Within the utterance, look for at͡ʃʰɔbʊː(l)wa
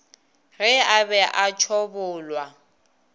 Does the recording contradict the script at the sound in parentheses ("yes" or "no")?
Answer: no